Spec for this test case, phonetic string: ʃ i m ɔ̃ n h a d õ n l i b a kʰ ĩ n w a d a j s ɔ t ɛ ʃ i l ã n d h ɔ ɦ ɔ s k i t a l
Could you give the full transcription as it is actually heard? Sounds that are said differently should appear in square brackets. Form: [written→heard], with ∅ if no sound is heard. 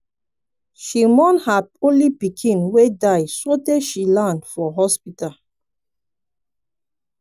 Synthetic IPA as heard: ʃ i m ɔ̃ n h a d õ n l i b [a→i] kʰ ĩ n w [a→e] d a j s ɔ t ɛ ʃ i l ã n d [h→f] ɔ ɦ ɔ s [k→p] i t a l